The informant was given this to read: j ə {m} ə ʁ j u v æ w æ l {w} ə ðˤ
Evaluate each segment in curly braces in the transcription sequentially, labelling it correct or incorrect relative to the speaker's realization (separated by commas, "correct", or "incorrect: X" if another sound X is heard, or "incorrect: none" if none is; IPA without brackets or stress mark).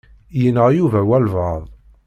incorrect: n, incorrect: v